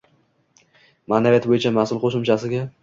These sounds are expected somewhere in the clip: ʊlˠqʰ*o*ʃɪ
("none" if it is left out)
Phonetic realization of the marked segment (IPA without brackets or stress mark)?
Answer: o